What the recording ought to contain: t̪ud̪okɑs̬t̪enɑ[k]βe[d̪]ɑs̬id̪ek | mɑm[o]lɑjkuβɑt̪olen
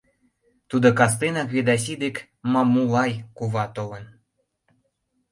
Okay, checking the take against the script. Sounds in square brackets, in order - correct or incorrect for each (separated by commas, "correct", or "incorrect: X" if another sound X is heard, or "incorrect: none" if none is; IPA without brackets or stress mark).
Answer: correct, correct, incorrect: u